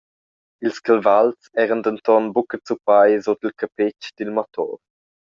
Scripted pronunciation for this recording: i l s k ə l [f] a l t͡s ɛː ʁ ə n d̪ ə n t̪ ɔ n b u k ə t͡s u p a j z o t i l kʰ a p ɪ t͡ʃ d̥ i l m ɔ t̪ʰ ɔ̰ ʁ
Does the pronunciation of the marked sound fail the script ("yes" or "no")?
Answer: yes